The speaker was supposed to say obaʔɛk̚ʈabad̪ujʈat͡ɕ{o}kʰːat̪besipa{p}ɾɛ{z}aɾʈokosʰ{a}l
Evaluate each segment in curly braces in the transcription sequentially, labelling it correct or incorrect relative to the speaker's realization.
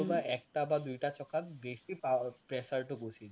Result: incorrect, correct, incorrect, incorrect

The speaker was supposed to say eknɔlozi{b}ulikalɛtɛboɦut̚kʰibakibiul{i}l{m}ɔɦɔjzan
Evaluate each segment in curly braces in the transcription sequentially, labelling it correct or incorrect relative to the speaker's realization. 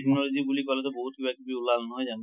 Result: correct, incorrect, incorrect

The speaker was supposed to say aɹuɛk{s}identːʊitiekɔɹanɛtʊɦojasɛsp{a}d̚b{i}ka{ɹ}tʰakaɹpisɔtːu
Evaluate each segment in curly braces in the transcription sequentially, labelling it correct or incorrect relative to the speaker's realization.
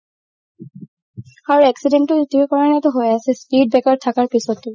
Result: correct, incorrect, incorrect, correct

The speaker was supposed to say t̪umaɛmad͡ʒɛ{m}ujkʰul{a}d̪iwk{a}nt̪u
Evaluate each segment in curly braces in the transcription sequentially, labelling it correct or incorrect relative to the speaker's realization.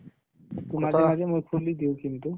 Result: correct, incorrect, incorrect

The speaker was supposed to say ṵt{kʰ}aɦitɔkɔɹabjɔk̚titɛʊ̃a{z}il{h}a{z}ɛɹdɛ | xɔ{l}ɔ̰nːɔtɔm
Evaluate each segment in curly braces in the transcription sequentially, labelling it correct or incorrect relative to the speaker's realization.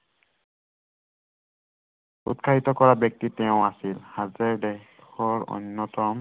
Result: correct, incorrect, correct, correct, incorrect

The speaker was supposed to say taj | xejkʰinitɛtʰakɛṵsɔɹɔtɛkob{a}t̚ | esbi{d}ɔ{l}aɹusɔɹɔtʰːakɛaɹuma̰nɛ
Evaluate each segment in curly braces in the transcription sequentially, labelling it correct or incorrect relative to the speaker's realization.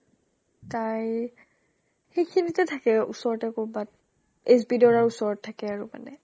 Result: correct, correct, incorrect

